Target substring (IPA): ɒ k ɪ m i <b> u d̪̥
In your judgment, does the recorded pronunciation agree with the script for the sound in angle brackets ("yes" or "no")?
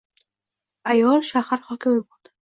yes